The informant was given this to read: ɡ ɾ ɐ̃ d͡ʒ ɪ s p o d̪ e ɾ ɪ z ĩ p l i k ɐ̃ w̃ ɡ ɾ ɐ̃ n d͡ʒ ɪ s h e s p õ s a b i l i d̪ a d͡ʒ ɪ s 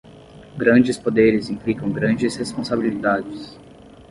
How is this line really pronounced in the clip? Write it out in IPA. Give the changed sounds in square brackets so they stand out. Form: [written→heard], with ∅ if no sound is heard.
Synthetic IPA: ɡ ɾ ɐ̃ d͡ʒ ɪ s p o d̪ e ɾ ɪ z ĩ p l i k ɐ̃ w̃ ɡ ɾ ɐ̃ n d͡ʒ ɪ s h e s p õ s a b i l i d̪ a d͡ʒ ɪ s